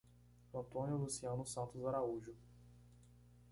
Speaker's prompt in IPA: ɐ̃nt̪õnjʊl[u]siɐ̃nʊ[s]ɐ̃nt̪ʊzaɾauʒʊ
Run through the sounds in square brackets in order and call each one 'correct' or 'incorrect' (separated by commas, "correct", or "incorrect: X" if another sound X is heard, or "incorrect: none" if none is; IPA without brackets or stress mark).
correct, correct